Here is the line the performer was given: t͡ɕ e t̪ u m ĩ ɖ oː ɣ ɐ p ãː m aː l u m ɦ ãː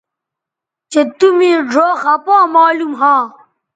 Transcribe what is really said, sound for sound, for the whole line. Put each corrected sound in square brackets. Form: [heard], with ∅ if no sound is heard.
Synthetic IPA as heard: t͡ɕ e t̪ u m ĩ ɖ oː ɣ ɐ p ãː m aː l u m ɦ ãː